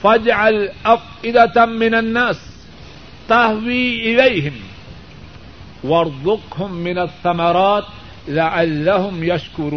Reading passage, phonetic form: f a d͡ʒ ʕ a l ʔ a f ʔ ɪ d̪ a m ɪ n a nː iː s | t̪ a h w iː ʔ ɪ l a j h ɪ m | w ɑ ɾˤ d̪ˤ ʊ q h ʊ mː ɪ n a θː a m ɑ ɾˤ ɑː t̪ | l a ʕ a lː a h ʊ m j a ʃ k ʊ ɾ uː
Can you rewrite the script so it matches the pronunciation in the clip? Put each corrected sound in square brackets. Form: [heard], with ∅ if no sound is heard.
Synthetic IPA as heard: f a d͡ʒ ʕ a l ʔ a f ʔ ɪ d̪ a m ɪ n a nː [aː] s | t̪ a h w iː ʔ ɪ l a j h ɪ m | w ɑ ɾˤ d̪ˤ ʊ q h ʊ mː ɪ n a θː a m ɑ ɾˤ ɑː t̪ | l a ʕ a lː a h ʊ m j a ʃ k ʊ ɾ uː